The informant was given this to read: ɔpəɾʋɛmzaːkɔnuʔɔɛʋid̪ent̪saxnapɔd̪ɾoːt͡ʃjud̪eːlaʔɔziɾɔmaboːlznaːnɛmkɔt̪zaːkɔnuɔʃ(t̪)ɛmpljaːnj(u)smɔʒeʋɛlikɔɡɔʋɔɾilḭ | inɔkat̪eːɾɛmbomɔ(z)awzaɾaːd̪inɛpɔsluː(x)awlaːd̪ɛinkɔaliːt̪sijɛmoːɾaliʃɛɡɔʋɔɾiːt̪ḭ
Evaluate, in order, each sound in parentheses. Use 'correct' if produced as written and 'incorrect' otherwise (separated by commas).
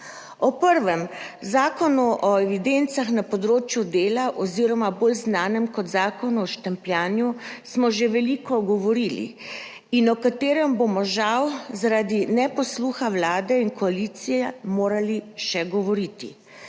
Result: correct, correct, incorrect, correct